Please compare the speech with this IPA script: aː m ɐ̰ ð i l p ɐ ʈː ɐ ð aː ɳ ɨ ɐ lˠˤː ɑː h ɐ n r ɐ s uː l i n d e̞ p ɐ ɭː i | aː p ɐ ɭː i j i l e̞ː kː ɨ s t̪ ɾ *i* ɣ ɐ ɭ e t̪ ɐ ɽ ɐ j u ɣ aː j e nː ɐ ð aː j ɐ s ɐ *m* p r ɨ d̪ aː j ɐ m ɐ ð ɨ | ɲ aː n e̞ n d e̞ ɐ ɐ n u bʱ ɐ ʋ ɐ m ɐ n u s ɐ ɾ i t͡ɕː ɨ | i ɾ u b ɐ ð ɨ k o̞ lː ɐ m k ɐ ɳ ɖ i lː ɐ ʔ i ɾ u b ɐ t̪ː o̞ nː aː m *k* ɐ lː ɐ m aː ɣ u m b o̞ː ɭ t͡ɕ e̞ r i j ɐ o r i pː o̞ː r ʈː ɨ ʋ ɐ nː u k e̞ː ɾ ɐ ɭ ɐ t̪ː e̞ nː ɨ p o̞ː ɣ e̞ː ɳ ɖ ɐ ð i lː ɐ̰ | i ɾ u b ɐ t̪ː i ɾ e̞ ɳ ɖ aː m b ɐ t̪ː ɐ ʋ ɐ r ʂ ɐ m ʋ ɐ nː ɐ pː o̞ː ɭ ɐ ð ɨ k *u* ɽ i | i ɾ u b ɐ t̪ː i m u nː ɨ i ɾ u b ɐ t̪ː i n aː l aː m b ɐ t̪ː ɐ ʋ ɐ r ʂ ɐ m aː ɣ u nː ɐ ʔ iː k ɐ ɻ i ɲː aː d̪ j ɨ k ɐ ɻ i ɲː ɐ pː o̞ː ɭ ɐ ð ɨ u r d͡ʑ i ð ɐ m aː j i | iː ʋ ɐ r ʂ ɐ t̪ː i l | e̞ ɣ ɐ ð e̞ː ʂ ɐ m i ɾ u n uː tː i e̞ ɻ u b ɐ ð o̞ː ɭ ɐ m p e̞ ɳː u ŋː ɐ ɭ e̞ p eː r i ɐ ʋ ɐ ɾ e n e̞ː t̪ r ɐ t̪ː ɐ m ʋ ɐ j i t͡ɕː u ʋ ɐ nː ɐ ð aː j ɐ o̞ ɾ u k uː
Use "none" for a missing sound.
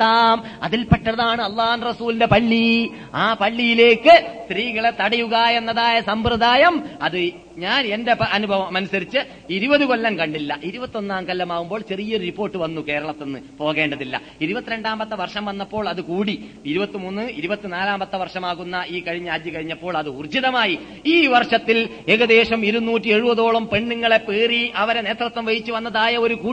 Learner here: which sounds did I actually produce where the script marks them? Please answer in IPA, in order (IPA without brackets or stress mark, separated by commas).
iː, m, k, uː